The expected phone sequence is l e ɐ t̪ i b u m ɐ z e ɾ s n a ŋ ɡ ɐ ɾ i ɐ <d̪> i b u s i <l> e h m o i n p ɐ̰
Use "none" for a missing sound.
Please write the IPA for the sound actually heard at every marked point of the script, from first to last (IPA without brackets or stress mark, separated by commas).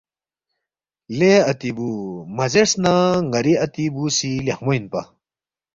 t̪, l